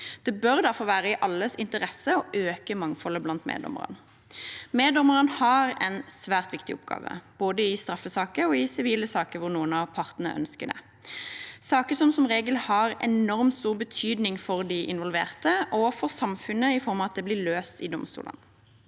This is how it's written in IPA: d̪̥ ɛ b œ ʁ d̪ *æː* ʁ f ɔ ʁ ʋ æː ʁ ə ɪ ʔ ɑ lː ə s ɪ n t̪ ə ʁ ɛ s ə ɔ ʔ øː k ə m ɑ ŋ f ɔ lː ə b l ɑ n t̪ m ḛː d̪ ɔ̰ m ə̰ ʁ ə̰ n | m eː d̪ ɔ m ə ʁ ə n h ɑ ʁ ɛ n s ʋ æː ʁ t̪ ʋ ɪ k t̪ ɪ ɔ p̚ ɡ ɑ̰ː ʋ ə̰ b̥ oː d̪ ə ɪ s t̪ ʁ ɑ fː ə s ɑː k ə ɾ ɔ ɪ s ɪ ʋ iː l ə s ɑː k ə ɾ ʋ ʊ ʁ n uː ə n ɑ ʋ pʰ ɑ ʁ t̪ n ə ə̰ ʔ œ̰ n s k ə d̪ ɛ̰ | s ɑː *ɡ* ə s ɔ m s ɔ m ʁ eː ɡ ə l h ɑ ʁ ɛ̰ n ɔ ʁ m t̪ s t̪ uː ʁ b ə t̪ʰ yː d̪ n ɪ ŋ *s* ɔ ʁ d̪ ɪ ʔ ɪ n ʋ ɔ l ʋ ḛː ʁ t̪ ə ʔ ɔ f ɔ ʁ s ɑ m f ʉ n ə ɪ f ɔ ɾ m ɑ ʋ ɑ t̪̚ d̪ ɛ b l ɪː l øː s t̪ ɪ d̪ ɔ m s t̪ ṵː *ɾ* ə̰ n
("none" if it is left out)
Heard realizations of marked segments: æ, k, f, l

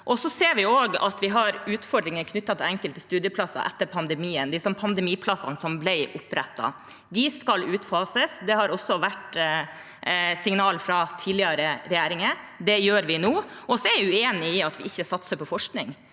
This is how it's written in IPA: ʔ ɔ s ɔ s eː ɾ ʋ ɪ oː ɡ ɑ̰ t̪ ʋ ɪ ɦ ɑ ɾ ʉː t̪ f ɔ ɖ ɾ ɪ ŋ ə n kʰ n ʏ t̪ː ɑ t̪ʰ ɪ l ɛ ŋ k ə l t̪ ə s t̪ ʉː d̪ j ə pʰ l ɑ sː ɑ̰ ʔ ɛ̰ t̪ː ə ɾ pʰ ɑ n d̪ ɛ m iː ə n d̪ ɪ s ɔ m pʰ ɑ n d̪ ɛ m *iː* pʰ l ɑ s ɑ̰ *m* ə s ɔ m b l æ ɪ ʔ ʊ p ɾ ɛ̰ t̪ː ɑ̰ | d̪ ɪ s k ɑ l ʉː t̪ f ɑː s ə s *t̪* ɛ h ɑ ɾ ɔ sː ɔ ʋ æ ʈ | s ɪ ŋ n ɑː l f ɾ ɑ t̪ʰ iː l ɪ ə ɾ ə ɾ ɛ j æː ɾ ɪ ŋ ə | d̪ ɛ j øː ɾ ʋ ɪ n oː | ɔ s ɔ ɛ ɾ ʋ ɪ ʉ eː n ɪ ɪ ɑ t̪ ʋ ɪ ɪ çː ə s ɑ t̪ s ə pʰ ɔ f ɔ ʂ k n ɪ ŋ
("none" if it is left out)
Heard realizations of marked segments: iː, n, d̪

